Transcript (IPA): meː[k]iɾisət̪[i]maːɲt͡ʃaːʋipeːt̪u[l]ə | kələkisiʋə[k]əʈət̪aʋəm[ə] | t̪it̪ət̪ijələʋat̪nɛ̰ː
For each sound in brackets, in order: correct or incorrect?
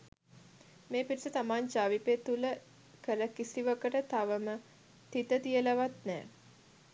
incorrect, incorrect, correct, correct, correct

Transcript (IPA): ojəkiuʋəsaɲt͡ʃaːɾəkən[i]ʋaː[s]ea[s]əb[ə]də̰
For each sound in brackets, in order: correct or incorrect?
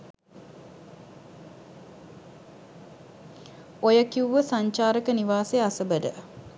correct, correct, correct, correct

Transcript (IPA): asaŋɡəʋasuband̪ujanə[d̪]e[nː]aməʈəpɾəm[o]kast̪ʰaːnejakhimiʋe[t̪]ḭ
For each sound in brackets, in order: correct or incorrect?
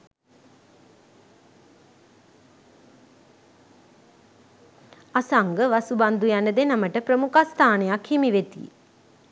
correct, incorrect, incorrect, correct

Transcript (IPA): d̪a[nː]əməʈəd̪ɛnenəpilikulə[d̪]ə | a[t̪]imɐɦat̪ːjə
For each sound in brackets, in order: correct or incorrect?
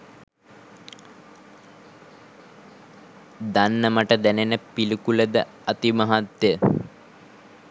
correct, correct, correct

